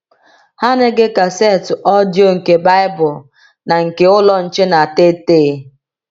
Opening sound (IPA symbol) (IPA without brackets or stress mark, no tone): h